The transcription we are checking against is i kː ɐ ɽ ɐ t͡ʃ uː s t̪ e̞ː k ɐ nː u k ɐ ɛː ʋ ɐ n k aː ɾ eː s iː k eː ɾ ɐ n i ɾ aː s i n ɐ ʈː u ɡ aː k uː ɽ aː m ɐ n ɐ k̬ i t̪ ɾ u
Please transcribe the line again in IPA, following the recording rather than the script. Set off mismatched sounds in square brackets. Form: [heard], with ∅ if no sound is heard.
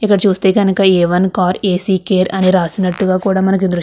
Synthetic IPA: i kː ɐ ɽ ɐ t͡ʃ uː s t̪ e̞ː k ɐ [n] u k ɐ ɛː ʋ ɐ n k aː ɾ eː s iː k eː ɾ ɐ n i ɾ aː s i n ɐ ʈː u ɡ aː k uː ɽ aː m ɐ n ɐ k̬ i [d̪] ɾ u